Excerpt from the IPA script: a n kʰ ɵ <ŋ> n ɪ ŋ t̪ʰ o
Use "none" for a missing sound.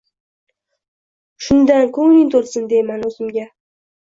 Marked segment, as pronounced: ŋ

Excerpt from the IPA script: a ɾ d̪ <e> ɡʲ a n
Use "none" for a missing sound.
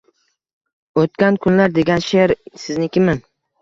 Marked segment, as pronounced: e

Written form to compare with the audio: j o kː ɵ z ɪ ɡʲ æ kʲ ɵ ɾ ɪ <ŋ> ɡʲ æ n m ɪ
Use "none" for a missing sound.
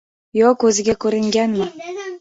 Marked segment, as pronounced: ŋ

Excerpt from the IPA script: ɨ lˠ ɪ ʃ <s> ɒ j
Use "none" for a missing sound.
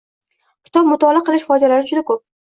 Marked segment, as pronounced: f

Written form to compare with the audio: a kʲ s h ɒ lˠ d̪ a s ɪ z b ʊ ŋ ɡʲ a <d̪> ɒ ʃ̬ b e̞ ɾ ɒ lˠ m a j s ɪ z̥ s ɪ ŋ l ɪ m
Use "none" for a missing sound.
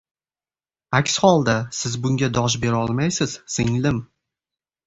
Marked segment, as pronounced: d̪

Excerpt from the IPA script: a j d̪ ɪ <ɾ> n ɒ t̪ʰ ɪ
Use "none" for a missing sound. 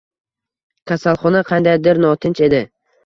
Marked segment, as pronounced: ɾ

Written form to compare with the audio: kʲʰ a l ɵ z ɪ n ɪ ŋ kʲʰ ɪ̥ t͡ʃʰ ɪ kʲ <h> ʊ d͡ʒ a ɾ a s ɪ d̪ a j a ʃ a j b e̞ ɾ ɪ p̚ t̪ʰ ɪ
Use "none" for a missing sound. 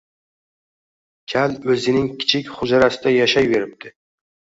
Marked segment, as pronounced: χ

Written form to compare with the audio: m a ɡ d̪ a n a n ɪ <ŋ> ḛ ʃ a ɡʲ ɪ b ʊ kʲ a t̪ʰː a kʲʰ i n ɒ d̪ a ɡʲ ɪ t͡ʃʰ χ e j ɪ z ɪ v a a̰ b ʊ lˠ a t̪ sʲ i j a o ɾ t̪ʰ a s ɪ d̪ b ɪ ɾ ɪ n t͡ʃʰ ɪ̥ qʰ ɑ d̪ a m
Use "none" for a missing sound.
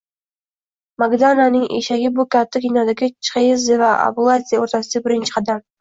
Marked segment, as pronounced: ŋ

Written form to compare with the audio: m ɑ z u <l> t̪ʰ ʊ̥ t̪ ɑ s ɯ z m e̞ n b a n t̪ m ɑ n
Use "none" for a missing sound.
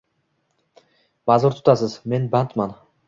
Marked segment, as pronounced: ɾ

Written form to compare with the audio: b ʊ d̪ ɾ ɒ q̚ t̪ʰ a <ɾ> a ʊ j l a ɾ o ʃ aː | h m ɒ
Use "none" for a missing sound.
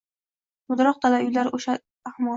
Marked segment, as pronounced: l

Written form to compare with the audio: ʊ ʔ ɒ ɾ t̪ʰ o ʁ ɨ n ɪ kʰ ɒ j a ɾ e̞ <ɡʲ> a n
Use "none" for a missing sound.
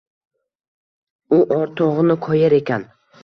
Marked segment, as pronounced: kʲ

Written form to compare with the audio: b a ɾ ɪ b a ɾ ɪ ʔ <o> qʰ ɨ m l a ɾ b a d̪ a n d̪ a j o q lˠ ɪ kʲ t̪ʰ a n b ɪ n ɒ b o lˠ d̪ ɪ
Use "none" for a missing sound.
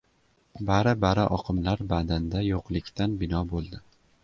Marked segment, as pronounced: ɒ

